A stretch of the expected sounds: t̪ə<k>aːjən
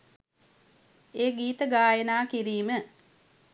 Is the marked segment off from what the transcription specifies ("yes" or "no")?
yes